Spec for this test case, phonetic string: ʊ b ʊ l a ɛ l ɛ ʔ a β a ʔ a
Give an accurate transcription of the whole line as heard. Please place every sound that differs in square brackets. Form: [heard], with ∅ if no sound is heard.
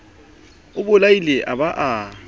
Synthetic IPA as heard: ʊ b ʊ l a [i] l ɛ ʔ a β a ʔ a

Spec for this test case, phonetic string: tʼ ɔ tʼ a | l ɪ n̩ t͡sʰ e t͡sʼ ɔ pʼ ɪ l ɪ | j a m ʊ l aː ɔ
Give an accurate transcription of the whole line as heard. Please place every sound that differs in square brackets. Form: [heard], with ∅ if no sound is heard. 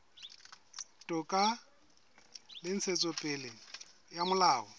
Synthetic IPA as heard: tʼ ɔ [kʼ] a | l ɪ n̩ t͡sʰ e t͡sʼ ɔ pʼ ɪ l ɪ | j a m ʊ l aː ɔ

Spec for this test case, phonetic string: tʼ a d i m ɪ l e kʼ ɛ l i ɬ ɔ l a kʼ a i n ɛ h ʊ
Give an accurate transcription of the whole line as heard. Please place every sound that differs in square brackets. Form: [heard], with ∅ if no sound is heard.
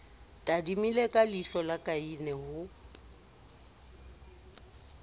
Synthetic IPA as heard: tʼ a d i m [i] l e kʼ [a] l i ɬ ɔ l a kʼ a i n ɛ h ʊ

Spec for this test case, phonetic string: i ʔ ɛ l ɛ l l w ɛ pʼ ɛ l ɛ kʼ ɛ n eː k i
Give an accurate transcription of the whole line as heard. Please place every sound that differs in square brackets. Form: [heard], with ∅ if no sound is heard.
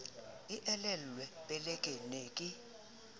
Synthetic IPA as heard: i ʔ ɛ l ɛ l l w ɛ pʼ ɛ l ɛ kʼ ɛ n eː [kʼ] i

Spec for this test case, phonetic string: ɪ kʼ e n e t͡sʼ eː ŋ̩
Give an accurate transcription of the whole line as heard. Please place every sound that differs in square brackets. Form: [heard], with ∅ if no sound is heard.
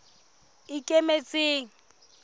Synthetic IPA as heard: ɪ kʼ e [m] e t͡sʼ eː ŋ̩

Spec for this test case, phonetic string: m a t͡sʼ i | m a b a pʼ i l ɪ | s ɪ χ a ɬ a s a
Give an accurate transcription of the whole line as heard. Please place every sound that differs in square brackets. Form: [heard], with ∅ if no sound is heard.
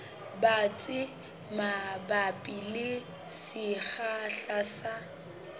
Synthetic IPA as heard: [b] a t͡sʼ [ɪ] | m a b a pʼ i l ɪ | s ɪ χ a ɬ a s a

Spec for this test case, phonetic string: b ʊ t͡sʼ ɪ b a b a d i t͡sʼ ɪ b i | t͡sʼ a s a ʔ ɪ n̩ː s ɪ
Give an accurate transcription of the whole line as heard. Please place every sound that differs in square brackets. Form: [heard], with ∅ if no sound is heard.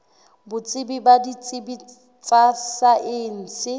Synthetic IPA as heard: b ʊ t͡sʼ ɪ b [i] b a d i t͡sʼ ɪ b i | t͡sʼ a s a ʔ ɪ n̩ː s ɪ

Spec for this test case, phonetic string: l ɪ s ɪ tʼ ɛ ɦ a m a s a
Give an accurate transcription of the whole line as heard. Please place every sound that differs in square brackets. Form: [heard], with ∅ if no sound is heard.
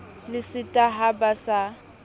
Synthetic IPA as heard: l ɪ s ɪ tʼ [a] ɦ a [b] a s a

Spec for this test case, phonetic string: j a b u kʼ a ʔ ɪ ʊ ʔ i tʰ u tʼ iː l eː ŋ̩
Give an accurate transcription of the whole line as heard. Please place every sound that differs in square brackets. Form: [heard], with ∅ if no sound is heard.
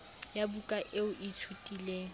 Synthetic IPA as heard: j a b u kʼ a ʔ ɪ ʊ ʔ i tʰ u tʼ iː l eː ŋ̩

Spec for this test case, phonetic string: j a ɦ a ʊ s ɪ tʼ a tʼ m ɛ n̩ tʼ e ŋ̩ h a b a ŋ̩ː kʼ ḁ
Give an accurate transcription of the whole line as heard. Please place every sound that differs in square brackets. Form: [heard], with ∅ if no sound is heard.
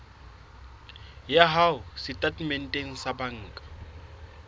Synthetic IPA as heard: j a ɦ a ʊ s ɪ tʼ a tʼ m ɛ n̩ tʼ e ŋ̩ [s] a b a ŋ̩ː kʼ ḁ

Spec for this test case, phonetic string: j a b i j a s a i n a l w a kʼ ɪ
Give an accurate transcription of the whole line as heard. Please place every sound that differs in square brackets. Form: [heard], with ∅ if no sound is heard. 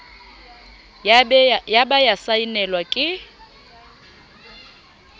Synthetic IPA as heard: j a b [a] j a s a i n [ɛ] l w a kʼ ɪ

